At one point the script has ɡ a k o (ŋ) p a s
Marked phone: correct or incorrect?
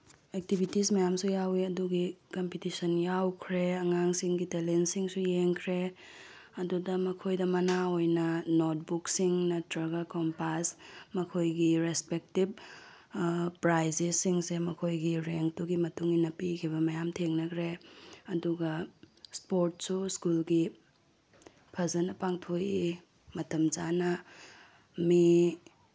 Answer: incorrect: m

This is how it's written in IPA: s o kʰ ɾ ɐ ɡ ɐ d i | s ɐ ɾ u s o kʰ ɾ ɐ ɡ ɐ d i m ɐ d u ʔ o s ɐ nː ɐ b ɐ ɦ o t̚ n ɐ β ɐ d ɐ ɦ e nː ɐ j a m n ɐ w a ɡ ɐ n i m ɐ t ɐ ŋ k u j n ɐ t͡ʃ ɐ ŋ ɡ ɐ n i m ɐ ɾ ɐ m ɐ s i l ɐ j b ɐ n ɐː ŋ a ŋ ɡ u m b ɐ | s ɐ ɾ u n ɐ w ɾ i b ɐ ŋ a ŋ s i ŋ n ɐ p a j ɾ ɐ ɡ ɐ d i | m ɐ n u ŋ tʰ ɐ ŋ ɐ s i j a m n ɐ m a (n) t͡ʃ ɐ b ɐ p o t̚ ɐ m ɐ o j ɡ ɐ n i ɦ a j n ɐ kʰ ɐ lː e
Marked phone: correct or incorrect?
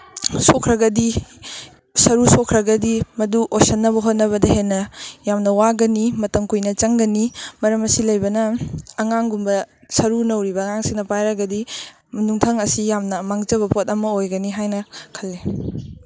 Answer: incorrect: ŋ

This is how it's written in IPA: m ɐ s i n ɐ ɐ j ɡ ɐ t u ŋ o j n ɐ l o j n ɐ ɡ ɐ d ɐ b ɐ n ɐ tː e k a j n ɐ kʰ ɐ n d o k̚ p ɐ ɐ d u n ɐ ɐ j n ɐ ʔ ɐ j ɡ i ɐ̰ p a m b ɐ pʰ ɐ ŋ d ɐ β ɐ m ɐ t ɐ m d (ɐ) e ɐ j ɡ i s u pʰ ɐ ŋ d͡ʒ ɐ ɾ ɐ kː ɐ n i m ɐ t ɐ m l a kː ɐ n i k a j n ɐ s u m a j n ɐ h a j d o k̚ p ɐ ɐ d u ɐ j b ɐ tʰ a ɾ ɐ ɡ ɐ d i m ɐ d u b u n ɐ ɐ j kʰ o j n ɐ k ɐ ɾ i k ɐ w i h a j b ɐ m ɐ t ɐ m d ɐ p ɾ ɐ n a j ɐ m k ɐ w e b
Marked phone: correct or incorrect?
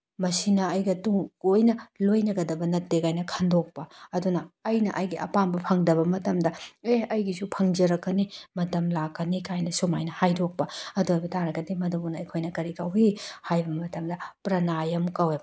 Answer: correct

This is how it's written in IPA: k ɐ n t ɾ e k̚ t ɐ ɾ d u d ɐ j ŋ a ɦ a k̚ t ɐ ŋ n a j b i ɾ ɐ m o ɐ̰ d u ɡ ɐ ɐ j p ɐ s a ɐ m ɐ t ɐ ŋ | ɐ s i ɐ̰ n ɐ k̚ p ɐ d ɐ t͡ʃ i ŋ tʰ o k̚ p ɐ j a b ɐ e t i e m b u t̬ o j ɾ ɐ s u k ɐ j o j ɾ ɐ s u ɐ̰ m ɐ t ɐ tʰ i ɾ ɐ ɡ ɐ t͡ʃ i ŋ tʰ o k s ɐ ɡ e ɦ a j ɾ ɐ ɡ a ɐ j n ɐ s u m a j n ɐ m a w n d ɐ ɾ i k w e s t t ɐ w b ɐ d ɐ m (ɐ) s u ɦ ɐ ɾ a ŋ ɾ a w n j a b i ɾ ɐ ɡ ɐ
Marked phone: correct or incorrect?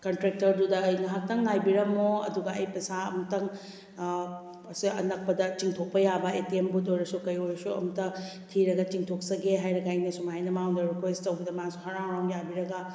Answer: incorrect: a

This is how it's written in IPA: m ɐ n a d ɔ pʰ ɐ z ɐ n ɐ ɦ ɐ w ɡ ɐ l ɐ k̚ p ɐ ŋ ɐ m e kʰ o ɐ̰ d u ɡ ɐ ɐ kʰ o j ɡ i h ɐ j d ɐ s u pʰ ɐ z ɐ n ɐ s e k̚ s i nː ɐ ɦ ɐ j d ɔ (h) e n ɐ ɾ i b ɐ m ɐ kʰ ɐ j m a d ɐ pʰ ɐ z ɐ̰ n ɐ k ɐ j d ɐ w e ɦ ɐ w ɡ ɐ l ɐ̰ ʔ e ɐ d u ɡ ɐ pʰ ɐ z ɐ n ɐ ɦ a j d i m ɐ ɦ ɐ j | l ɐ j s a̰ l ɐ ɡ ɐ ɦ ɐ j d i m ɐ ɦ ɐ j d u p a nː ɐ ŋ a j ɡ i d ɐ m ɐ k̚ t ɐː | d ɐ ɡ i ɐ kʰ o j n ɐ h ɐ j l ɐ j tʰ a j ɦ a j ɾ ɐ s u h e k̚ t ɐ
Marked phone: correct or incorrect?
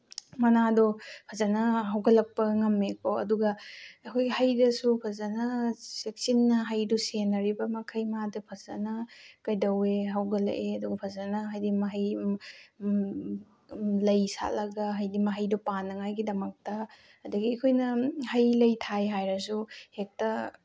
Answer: incorrect: s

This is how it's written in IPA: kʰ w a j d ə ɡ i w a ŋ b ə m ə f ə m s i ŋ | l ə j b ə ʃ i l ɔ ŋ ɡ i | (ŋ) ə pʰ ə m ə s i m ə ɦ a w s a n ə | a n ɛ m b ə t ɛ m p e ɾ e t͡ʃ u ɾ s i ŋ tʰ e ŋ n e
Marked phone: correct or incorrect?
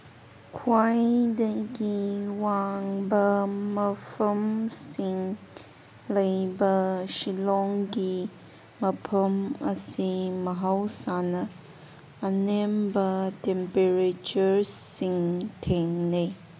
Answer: incorrect: m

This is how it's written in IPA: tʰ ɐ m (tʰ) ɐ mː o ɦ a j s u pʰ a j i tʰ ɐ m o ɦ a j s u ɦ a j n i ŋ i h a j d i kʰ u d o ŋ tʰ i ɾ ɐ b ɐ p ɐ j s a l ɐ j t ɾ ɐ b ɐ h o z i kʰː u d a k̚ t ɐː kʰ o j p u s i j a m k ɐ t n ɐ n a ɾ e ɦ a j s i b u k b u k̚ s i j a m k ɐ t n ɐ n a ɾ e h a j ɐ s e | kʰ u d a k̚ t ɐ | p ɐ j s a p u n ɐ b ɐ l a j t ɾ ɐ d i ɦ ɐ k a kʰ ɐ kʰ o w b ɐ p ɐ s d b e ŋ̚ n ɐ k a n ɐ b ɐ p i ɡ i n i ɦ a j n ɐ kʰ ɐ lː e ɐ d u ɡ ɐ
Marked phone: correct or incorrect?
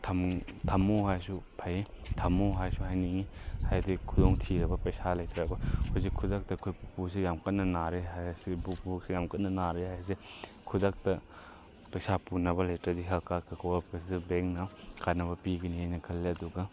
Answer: correct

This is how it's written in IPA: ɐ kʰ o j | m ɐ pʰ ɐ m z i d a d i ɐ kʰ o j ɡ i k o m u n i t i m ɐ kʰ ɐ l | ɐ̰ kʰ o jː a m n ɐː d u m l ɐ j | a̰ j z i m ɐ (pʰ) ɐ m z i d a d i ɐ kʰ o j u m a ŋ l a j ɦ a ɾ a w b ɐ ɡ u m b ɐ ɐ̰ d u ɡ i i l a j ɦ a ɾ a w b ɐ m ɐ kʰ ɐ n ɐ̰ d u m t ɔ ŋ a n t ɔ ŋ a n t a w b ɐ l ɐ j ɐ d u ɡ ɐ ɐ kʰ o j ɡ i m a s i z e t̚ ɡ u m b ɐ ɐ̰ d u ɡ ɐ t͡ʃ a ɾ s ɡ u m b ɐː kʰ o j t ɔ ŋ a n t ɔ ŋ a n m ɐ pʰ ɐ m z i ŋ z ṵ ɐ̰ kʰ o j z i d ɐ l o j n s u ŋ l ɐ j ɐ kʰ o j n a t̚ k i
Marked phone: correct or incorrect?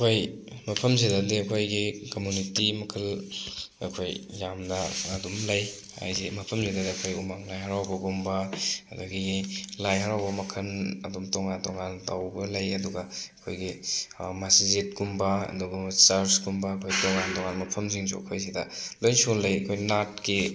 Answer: correct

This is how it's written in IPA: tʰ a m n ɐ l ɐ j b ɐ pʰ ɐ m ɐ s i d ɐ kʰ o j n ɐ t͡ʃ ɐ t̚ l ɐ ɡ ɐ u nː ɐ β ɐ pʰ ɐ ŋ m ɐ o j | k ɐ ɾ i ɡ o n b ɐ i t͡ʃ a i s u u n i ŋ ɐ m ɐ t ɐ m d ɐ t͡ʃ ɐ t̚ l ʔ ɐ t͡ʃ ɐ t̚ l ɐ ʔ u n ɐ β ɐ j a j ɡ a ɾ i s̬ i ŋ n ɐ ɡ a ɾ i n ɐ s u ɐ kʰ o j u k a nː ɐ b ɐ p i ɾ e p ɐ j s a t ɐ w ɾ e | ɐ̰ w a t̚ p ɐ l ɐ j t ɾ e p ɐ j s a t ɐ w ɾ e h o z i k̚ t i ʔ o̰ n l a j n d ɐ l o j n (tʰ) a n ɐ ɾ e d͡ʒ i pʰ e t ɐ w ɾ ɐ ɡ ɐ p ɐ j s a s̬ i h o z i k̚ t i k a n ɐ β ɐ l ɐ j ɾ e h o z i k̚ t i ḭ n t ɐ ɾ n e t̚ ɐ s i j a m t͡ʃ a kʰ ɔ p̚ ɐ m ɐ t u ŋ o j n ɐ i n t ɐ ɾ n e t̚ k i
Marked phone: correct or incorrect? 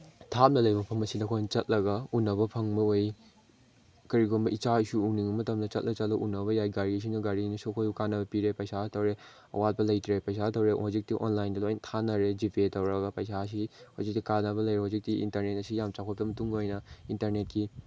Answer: correct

